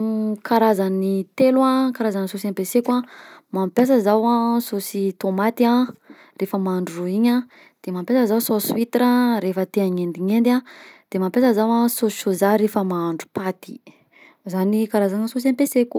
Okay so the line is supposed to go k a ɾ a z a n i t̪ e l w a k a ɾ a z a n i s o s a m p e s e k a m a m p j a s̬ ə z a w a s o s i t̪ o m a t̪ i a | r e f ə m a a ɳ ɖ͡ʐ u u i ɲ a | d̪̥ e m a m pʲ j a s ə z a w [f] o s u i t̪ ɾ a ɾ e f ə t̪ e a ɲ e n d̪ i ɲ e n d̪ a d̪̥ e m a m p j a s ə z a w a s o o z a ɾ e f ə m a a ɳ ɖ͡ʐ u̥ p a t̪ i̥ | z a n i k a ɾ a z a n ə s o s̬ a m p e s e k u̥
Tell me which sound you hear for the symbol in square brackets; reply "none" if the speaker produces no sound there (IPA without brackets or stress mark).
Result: s